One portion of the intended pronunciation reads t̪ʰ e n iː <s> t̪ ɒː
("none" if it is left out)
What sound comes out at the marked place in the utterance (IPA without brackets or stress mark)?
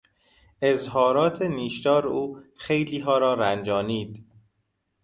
ʃ